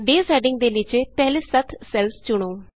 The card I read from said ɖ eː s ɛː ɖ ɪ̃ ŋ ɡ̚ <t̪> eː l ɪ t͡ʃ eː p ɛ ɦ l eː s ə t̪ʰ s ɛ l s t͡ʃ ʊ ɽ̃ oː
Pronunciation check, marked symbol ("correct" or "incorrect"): incorrect